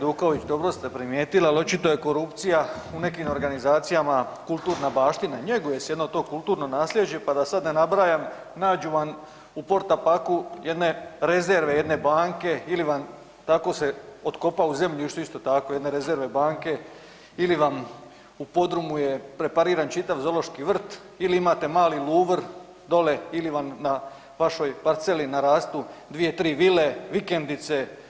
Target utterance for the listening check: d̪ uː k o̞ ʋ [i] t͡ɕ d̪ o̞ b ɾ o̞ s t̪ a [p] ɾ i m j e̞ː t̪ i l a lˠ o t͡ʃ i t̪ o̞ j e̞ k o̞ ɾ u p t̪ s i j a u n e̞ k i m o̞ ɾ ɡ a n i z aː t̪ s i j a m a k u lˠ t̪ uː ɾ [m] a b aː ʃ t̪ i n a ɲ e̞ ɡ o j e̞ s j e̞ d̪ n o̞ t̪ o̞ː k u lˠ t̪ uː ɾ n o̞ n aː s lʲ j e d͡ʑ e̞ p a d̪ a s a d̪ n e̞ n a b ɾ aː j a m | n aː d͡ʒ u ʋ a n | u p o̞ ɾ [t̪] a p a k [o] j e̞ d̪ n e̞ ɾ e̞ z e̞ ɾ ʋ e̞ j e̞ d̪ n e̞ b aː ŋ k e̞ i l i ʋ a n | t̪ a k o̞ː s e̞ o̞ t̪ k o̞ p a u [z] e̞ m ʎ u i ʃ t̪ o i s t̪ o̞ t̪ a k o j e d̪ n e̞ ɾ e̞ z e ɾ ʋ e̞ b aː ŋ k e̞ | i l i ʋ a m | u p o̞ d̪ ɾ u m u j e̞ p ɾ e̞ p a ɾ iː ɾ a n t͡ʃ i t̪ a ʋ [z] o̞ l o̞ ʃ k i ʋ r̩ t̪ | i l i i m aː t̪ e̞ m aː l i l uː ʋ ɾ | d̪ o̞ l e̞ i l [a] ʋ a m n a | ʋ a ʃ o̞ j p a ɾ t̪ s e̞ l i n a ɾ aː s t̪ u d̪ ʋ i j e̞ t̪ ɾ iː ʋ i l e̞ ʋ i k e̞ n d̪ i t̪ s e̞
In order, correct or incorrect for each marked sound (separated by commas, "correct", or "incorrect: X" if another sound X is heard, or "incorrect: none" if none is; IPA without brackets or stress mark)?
correct, correct, incorrect: n, correct, incorrect: u, correct, correct, incorrect: i